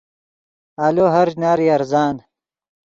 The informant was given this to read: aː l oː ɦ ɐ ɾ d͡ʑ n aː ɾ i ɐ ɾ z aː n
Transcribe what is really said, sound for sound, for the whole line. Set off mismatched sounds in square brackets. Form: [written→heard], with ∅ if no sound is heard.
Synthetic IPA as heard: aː l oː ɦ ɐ ɾ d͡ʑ n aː ɾ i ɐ ɾ z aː n

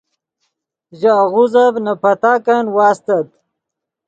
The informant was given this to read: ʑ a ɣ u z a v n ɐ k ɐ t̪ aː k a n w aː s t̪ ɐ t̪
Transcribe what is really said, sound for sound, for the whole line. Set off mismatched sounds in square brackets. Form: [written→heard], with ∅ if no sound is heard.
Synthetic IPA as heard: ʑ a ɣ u z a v n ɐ [k→p] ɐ t̪ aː k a n w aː s t̪ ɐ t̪

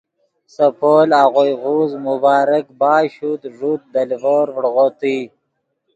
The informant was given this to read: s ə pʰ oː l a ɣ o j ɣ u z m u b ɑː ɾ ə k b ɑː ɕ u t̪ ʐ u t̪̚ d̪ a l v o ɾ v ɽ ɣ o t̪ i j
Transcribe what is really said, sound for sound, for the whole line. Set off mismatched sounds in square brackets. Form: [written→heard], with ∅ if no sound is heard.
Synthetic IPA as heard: s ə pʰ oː l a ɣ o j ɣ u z m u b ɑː ɾ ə k b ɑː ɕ u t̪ ʐ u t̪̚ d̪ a l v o ɾ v ɽ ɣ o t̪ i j

